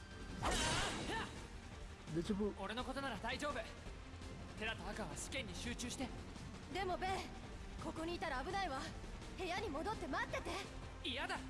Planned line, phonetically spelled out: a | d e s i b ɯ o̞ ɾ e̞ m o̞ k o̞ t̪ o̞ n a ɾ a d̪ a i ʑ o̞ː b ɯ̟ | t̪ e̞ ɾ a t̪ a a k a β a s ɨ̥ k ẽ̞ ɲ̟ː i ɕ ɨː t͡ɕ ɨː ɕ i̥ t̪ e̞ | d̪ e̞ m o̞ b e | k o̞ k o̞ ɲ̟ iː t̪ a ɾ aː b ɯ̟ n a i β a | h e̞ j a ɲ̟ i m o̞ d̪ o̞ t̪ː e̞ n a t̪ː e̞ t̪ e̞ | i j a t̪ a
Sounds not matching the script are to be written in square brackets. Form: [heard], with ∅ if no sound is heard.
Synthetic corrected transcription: a | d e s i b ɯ o̞ ɾ e̞ [n] o̞ k o̞ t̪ o̞ n a ɾ a d̪ a i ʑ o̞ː b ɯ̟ | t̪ e̞ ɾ a t̪ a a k a β a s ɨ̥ k ẽ̞ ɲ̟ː i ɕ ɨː t͡ɕ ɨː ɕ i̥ t̪ e̞ | d̪ e̞ m o̞ b e | k o̞ k o̞ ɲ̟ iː t̪ a ɾ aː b ɯ̟ n a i β a | h e̞ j a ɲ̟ i m o̞ d̪ o̞ t̪ː e̞ [m] a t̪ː e̞ t̪ e̞ | i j a [d̪] a